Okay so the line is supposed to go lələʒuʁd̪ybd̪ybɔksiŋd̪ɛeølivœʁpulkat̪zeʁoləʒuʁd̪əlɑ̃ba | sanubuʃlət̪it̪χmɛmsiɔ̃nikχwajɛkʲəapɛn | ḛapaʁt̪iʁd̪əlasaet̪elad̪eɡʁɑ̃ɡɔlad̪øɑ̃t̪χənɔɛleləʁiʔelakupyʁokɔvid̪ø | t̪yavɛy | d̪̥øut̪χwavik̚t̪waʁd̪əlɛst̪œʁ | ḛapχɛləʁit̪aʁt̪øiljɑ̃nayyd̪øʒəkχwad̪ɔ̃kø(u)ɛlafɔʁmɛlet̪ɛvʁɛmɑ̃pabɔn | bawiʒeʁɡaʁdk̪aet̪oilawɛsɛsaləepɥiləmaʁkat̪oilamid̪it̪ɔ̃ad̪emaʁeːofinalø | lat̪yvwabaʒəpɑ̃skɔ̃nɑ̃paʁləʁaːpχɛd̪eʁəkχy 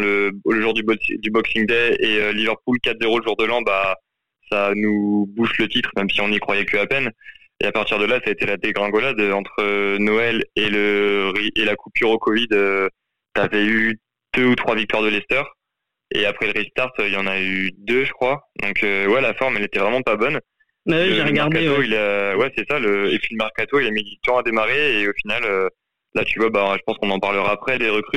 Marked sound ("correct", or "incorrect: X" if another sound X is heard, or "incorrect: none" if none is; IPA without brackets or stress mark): incorrect: w